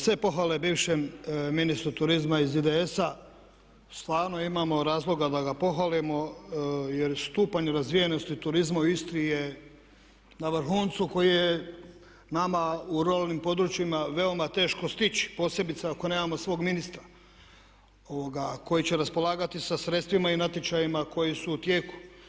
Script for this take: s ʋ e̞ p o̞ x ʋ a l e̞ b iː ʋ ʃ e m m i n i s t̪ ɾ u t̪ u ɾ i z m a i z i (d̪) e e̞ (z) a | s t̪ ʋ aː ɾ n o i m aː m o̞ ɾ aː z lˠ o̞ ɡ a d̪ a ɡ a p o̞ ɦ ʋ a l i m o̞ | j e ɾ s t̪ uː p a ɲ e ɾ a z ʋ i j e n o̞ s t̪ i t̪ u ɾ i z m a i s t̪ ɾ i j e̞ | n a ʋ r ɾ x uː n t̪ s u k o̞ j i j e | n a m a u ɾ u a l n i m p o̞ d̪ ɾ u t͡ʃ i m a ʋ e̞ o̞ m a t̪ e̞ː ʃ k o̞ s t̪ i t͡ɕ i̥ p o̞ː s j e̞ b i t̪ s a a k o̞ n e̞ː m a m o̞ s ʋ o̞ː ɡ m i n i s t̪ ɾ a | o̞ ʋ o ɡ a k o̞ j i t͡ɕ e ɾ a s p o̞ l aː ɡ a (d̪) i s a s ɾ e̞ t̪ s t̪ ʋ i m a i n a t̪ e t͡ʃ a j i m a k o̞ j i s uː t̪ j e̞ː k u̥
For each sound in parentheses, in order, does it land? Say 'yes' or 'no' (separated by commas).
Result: yes, no, no